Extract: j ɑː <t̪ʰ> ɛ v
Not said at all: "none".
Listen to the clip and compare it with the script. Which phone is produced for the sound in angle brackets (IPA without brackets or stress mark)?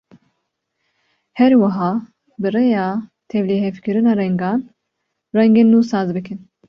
t̪ʰ